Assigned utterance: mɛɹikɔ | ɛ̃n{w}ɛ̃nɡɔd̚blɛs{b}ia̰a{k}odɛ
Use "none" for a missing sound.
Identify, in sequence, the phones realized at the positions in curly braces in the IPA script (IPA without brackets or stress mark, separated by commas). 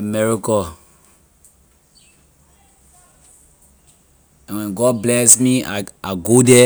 w, m, ɡ